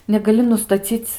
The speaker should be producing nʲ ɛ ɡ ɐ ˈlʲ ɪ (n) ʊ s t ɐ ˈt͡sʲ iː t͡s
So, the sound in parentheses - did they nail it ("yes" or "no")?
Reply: yes